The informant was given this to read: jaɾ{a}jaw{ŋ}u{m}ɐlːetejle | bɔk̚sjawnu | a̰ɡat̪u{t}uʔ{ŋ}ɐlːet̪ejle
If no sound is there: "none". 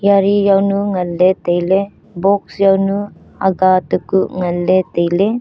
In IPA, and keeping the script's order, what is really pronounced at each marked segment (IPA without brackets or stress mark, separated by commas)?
i, n, ŋ, k, ŋ